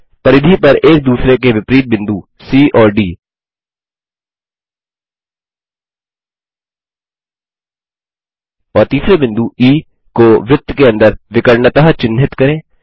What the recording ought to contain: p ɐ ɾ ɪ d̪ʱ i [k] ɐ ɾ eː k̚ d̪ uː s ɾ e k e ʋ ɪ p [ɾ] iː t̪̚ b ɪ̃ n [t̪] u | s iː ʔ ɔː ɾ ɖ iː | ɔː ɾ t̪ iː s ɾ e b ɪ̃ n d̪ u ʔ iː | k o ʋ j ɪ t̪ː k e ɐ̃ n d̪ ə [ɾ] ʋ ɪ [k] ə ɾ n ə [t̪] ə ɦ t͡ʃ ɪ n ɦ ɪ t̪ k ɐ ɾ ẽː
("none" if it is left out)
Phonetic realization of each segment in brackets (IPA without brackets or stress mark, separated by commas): p, ɾ, d̪, ɾ, k, t̪